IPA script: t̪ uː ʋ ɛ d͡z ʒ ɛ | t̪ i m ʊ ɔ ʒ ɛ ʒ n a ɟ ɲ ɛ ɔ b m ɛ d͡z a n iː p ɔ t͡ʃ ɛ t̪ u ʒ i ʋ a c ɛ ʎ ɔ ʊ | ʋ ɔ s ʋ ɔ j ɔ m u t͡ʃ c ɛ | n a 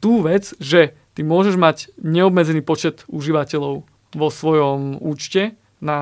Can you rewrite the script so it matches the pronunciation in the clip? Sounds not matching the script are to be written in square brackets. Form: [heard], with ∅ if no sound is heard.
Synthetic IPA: t̪ uː ʋ ɛ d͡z ʒ ɛ | t̪ i m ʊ ɔ ʒ ɛ ʒ [m] a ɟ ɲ ɛ ɔ b m ɛ d͡z [ɛ] n iː p ɔ t͡ʃ ɛ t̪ u ʒ i ʋ a c ɛ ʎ ɔ ʊ | ʋ ɔ s ʋ ɔ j ɔ m [uː] t͡ʃ c ɛ | n a